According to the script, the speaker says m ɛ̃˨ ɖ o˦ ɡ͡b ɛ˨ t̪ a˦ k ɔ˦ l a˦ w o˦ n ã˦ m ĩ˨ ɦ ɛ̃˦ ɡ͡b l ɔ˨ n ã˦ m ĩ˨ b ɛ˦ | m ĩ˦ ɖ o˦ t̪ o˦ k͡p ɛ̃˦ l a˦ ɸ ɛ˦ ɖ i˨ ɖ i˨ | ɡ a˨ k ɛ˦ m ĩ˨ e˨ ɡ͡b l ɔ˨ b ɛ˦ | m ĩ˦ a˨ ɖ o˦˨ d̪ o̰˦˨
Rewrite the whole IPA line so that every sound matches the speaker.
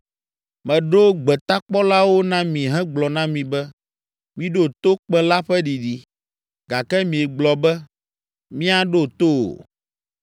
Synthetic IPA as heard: m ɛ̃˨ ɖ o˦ ɡ͡b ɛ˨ t̪ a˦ k͡p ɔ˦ l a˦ w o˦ n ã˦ m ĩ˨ ɦ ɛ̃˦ ɡ͡b l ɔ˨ n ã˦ m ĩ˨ b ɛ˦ | m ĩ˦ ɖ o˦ t̪ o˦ k͡p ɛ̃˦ l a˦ ɸ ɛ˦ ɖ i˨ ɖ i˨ | ɡ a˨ k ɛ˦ m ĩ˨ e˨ ɡ͡b l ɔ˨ b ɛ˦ | m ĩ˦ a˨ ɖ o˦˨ t̪ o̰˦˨